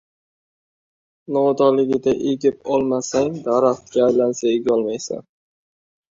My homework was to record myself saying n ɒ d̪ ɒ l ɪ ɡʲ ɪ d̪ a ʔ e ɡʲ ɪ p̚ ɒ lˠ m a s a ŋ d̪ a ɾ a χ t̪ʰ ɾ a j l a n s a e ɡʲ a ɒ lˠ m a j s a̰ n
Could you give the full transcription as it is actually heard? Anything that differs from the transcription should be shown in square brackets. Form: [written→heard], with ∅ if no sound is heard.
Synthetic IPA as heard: n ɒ d̪ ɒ l ɪ ɡʲ ɪ d̪ a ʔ e ɡʲ ɪ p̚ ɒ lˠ m a s a ŋ d̪ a ɾ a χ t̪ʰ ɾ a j l a n s a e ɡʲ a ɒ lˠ m a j s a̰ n